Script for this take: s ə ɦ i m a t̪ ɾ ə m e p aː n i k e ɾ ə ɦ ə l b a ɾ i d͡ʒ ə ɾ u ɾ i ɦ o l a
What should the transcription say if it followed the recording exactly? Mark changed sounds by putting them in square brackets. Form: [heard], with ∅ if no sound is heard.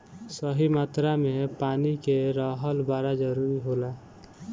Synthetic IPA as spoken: s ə ɦ i m a t̪ ɾ [a] m e p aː n i k e ɾ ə ɦ ə l b a ɾ [a] d͡ʒ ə ɾ u ɾ i ɦ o l a